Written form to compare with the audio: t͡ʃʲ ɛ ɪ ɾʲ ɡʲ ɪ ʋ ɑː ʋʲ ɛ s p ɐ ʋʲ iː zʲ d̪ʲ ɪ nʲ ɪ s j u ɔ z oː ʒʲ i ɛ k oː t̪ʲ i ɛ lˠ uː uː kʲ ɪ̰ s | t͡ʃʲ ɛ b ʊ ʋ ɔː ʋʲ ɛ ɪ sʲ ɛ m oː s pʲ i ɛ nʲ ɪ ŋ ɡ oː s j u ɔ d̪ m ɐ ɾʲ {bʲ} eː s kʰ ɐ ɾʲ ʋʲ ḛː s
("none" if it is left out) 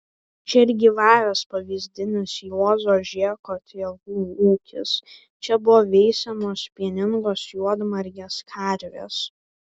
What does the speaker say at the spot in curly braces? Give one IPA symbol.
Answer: ɡʲ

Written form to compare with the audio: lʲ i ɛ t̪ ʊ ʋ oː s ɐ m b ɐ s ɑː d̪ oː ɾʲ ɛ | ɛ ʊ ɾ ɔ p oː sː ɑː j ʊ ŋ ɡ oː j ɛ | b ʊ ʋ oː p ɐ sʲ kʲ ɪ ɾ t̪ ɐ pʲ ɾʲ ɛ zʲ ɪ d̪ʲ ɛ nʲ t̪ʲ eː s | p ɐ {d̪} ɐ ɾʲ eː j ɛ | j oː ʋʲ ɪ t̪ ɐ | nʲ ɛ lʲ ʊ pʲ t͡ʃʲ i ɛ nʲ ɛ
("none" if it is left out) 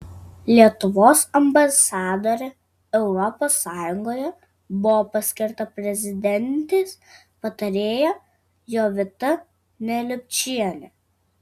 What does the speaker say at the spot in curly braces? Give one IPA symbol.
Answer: t̪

